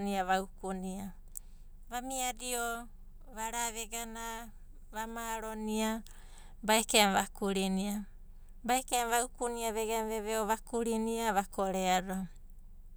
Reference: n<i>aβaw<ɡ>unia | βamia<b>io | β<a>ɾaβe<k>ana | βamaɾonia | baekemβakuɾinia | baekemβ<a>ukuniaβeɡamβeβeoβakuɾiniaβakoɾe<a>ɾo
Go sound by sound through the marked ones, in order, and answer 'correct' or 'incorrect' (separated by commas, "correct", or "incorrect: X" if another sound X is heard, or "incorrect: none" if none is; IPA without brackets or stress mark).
correct, incorrect: k, incorrect: d, correct, incorrect: ɡ, correct, correct